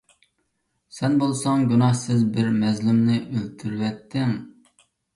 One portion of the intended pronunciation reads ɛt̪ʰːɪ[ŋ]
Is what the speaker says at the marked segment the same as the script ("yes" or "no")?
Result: yes